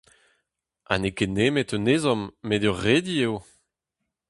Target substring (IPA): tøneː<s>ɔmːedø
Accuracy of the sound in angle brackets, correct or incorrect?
incorrect